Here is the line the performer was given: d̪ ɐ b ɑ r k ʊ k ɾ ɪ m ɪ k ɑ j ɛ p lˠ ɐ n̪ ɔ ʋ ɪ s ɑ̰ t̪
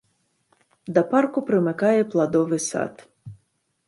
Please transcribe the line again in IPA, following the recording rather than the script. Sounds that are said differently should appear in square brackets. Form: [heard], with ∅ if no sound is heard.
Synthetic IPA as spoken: d̪ ɐ [p] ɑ r k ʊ [p] ɾ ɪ m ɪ k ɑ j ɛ p lˠ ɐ [d̪] ɔ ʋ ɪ s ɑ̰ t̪